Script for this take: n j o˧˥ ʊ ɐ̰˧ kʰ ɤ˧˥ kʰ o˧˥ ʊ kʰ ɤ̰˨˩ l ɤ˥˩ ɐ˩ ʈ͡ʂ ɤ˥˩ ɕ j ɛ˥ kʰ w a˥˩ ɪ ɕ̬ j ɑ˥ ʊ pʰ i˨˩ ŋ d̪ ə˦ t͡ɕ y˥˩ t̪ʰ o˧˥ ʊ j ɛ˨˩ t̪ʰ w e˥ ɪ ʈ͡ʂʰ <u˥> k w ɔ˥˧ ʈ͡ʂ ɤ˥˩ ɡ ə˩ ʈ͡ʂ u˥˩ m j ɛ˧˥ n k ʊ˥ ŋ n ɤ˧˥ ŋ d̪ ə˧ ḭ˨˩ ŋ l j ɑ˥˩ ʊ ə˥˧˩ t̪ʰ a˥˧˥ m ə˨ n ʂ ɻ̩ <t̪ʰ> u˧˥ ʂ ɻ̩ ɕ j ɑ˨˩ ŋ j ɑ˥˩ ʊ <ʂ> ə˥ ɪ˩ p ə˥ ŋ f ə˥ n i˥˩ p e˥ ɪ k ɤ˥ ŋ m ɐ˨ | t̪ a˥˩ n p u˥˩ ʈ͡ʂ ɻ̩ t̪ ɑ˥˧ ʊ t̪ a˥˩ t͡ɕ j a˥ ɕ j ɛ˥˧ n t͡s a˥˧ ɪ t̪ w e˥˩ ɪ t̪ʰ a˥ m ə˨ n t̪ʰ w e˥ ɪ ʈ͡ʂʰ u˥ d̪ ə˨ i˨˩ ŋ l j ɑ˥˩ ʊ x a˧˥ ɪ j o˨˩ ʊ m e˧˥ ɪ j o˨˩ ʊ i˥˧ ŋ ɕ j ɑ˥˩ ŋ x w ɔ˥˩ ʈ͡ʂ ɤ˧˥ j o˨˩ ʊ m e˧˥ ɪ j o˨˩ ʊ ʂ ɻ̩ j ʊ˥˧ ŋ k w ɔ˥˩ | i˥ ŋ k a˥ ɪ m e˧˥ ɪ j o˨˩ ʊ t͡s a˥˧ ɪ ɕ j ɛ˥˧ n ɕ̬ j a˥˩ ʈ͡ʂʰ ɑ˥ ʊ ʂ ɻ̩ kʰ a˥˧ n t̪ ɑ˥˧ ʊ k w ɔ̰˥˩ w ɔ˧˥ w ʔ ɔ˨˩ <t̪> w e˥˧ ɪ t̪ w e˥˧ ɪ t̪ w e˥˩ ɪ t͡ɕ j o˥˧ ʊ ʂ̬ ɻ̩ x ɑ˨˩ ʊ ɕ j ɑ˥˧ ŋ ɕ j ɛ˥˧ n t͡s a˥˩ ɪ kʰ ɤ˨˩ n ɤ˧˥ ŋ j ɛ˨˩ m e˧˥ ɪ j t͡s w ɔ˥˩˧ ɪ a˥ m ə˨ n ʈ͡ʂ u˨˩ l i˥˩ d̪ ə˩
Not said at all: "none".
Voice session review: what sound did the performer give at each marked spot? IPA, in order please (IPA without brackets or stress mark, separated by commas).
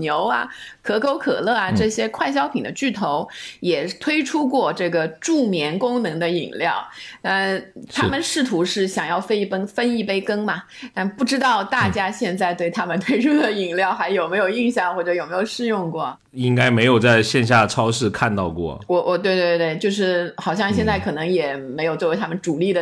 u˥, t̪ʰ, f, t̪